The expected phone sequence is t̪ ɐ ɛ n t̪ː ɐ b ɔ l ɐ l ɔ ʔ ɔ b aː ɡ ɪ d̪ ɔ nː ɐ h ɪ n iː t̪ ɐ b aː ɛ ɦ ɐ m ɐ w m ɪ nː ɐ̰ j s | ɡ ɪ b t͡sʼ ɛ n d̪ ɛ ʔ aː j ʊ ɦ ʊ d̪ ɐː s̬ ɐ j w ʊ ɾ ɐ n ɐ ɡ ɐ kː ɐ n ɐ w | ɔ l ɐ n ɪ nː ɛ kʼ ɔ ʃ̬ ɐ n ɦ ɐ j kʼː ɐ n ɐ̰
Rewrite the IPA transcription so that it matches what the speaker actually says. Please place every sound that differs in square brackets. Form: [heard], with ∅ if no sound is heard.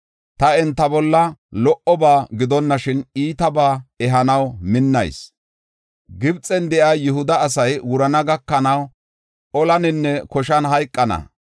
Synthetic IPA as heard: t̪ ɐ ɛ n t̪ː ɐ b ɔ [lː] ɐ l ɔ ʔ ɔ b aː ɡ ɪ d̪ ɔ nː ɐ [ʃ] ɪ n iː t̪ ɐ b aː ɛ ɦ ɐ [n] ɐ w m ɪ nː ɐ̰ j s | ɡ ɪ b t͡sʼ ɛ n d̪ ɛ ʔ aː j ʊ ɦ ʊ d̪ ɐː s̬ ɐ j w ʊ ɾ ɐ n ɐ ɡ ɐ kː ɐ n ɐ w | ɔ l ɐ n ɪ nː ɛ [k] ɔ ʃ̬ ɐ n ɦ ɐ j kʼː ɐ n ɐ̰